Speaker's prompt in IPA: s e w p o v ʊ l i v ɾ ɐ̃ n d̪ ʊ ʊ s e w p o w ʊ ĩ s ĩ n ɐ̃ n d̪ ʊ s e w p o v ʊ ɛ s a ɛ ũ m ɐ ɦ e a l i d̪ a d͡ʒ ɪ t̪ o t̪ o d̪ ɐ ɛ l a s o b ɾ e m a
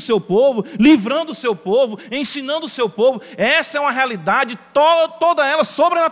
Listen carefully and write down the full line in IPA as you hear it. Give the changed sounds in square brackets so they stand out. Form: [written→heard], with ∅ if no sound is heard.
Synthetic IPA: s e w p o v ʊ l i v ɾ ɐ̃ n d̪ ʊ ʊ s e w p o [w→v] ʊ [ĩ→ẽ] s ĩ n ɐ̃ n d̪ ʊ s e w p o v ʊ ɛ s [a→ɐ] ɛ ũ m ɐ ɦ e a l i d̪ a d͡ʒ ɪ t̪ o t̪ o d̪ ɐ ɛ l [a→ɐ] s o b ɾ e [m→n] a